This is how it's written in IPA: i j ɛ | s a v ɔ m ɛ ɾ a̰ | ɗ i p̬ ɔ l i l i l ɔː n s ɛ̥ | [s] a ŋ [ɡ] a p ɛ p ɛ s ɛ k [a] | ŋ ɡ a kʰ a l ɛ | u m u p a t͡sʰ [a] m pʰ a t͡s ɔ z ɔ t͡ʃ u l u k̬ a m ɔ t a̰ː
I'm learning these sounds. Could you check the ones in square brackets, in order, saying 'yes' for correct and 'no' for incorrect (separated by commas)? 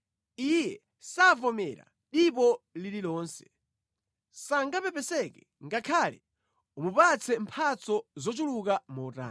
yes, yes, no, no